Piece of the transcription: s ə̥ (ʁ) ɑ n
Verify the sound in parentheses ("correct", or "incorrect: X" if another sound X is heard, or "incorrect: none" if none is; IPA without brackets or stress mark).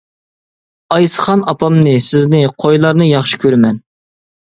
incorrect: χ